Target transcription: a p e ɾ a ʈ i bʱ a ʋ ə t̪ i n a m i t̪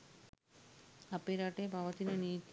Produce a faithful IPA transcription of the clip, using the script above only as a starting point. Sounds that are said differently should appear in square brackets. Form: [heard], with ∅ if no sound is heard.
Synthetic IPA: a p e ɾ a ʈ [e] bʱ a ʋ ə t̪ i n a [n] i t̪